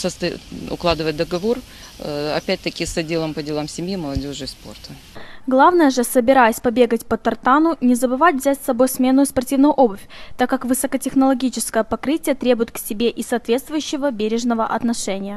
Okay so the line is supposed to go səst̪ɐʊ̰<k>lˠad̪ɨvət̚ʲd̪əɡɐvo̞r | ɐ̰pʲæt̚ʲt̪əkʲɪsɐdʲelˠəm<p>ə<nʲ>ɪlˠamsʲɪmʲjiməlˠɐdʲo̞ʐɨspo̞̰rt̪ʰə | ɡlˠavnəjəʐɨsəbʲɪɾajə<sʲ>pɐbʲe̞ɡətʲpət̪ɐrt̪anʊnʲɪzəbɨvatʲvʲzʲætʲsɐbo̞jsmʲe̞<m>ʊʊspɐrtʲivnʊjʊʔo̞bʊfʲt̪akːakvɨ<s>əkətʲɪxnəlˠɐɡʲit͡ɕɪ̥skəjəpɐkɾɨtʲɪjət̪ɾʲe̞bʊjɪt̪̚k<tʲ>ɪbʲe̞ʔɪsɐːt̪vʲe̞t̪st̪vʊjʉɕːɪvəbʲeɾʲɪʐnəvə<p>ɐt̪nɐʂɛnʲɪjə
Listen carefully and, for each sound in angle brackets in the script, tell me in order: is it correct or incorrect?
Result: correct, correct, incorrect, correct, incorrect, correct, incorrect, incorrect

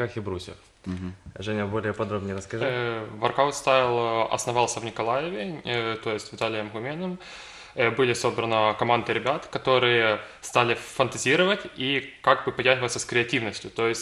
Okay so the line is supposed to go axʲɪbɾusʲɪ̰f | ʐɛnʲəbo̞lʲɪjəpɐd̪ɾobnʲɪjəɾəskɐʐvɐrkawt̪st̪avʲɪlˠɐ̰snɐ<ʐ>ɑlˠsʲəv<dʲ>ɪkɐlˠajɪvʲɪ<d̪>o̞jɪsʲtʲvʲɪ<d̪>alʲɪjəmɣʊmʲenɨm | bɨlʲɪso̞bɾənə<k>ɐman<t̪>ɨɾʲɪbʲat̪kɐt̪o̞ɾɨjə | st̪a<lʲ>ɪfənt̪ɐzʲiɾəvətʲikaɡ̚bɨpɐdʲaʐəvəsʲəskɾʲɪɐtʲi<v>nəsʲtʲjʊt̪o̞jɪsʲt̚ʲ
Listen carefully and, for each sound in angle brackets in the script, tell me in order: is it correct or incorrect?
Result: incorrect, incorrect, incorrect, incorrect, correct, incorrect, correct, correct

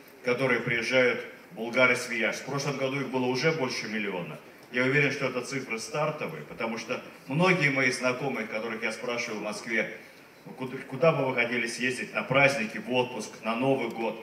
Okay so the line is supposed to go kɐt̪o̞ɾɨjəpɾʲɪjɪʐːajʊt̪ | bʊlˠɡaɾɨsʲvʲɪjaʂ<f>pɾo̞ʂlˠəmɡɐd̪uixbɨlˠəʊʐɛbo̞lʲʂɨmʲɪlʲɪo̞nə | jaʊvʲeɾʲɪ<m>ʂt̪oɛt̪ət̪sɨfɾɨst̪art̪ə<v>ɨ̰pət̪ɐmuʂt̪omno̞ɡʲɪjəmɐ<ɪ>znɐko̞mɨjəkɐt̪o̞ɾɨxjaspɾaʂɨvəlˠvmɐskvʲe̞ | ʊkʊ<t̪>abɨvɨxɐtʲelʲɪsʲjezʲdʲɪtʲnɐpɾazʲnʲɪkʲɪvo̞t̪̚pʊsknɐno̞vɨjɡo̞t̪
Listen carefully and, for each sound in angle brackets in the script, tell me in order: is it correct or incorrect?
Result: correct, incorrect, correct, incorrect, incorrect

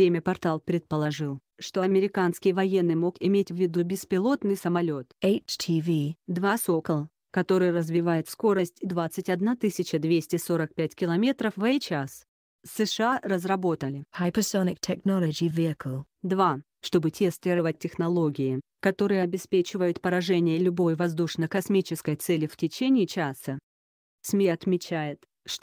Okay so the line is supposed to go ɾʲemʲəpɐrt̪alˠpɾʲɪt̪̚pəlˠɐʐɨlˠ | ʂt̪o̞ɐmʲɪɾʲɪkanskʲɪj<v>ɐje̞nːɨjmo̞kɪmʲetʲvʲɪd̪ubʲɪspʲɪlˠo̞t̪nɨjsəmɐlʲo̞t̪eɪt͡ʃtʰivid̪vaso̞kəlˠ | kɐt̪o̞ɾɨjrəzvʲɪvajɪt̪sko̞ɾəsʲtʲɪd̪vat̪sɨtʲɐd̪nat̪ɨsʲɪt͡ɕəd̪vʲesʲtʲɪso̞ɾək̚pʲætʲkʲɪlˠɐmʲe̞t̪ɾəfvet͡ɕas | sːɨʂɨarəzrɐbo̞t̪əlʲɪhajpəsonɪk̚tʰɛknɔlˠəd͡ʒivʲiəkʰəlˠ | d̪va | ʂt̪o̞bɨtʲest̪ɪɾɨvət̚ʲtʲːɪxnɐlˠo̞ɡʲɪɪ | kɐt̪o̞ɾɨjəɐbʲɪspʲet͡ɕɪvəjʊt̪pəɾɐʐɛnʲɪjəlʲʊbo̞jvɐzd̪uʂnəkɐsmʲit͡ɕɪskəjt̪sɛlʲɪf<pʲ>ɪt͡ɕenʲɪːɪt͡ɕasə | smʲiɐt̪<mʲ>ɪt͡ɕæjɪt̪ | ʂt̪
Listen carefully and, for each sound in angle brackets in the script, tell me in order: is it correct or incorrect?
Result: correct, incorrect, correct

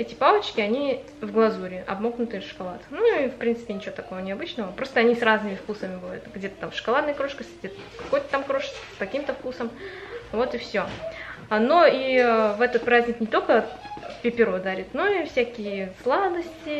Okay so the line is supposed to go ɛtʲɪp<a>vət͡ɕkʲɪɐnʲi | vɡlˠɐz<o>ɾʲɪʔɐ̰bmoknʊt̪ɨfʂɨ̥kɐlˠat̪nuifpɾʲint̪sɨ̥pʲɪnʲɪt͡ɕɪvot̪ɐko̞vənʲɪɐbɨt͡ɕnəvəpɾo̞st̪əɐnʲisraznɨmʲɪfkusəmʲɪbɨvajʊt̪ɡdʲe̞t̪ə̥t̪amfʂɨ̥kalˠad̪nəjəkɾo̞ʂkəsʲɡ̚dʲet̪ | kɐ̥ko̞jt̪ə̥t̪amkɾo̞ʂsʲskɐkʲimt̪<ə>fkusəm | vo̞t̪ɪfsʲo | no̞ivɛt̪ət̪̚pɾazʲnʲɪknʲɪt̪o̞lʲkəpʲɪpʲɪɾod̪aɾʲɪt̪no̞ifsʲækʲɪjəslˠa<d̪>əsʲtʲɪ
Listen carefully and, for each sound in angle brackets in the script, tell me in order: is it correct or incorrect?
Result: correct, incorrect, correct, correct

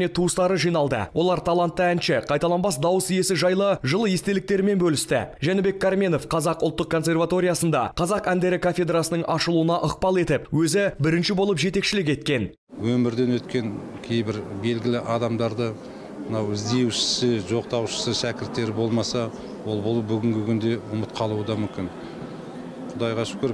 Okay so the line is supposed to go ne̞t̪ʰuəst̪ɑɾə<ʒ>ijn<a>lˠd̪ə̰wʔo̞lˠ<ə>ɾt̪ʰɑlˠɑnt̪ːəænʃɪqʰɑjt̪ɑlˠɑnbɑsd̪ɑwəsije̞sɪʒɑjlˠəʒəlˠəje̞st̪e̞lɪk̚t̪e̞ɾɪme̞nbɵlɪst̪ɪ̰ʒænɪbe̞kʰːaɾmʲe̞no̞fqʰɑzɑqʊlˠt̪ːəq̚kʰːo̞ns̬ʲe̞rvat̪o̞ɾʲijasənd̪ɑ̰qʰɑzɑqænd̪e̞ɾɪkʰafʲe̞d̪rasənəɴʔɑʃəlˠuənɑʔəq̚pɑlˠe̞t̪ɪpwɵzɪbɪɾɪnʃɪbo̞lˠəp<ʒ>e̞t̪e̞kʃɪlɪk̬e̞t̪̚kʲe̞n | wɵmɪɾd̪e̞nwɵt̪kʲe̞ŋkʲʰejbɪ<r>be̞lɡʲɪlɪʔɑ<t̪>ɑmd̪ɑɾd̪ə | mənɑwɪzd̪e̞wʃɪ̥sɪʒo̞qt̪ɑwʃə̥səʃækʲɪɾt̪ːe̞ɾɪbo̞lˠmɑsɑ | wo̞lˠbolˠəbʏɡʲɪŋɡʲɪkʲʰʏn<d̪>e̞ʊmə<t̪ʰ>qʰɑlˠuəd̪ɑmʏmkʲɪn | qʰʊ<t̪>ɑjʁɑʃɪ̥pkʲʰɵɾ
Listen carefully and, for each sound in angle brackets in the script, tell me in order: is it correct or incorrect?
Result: correct, incorrect, incorrect, correct, incorrect, incorrect, correct, incorrect, incorrect

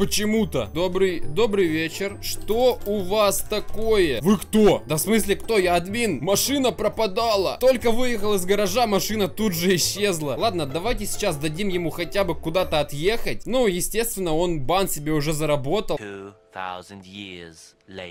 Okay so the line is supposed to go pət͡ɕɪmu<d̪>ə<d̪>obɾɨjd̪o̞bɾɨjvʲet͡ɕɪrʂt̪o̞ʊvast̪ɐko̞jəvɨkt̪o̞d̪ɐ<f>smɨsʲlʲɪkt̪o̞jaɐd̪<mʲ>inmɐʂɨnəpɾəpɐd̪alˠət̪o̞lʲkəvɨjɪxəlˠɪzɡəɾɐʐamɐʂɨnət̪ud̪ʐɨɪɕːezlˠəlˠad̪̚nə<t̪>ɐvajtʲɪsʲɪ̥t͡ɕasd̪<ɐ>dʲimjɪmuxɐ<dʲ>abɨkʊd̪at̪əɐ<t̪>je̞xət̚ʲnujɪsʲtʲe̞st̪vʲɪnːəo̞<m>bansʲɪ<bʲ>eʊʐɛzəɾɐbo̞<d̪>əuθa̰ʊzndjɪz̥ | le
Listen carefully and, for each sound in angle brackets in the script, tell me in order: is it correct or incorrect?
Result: incorrect, correct, correct, correct, incorrect, correct, incorrect, correct, incorrect, correct, incorrect

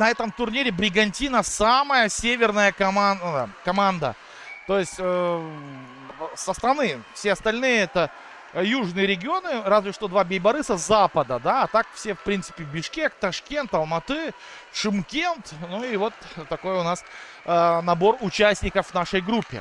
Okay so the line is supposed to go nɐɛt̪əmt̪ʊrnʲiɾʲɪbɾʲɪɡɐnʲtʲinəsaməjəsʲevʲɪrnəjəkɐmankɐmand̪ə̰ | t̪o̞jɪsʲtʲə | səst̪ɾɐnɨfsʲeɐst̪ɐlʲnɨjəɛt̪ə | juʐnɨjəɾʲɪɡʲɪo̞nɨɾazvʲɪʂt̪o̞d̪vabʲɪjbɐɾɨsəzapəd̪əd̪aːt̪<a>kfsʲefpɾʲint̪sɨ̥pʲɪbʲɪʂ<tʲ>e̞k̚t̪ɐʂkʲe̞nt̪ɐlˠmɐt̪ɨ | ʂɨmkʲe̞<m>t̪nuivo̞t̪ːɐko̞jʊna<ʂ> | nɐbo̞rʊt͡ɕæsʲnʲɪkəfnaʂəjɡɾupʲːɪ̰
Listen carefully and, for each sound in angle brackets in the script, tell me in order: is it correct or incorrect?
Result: correct, incorrect, incorrect, incorrect

